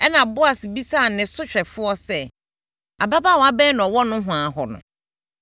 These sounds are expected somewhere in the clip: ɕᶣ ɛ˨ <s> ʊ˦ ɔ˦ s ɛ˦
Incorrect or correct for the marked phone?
incorrect: f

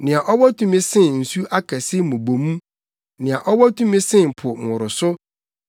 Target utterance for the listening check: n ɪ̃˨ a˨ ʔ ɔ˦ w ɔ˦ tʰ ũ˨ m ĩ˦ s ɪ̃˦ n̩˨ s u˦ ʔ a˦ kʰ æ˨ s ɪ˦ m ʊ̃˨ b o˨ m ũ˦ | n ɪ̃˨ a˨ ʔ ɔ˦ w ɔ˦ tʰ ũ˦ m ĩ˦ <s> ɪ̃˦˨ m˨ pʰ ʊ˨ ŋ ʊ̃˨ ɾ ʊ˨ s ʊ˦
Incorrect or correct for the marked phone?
correct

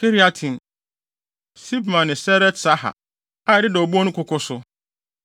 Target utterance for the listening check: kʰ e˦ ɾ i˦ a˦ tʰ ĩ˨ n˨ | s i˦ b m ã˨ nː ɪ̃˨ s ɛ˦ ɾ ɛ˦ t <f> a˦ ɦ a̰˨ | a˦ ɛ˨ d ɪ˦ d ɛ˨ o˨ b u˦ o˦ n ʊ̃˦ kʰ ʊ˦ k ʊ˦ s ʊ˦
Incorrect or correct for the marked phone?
incorrect: s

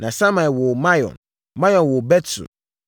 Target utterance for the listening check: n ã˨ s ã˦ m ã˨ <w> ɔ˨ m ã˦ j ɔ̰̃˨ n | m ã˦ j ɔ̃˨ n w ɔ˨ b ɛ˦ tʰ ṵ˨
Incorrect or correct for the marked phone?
correct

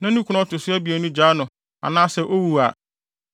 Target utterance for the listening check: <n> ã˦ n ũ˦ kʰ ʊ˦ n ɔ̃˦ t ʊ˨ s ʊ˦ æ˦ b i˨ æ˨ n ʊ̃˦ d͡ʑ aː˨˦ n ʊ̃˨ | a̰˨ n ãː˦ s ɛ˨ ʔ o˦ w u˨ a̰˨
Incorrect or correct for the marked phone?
correct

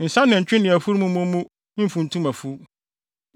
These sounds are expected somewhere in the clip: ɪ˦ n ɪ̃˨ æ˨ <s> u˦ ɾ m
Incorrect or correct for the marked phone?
incorrect: f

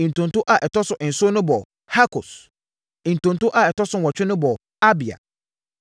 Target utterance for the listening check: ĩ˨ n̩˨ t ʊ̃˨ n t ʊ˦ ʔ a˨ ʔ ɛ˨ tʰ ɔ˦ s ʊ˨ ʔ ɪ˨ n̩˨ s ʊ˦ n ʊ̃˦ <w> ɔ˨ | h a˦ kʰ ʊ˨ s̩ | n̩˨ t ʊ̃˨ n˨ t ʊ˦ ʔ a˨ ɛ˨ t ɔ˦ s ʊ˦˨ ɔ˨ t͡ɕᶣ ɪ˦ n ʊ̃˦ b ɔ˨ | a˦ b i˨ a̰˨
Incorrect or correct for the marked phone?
incorrect: b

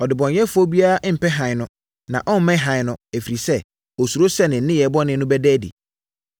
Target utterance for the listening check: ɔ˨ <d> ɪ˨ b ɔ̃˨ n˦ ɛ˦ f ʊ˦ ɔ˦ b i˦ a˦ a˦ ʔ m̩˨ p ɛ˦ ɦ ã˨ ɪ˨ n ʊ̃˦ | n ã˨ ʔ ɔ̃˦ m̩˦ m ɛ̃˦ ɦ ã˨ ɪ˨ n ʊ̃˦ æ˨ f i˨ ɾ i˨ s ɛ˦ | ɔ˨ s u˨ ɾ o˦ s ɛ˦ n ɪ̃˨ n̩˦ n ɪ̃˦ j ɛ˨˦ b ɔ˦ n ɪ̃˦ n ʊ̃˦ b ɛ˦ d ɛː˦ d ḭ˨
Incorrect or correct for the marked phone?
correct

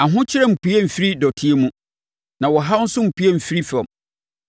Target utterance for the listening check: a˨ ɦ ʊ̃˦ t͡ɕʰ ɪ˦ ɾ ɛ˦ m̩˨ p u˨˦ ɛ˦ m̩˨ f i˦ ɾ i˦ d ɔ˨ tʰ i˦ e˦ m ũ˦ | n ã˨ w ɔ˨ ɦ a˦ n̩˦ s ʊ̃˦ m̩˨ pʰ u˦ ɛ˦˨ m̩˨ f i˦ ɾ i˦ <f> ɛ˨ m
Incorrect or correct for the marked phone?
correct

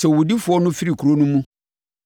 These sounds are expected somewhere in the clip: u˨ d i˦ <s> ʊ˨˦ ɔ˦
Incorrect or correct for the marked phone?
incorrect: f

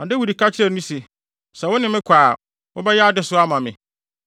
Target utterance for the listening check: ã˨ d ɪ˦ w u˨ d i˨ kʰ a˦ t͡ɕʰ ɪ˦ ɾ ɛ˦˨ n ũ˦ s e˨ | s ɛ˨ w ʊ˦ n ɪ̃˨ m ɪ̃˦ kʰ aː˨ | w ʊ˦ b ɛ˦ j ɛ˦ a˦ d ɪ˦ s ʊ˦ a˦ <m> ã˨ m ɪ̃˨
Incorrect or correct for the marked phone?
correct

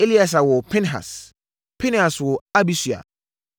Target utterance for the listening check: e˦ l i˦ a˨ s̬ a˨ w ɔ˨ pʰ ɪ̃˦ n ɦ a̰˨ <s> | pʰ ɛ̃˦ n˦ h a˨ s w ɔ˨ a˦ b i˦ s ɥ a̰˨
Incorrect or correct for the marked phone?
correct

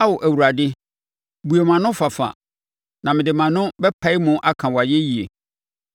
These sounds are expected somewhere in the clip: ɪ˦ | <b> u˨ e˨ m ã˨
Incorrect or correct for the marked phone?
correct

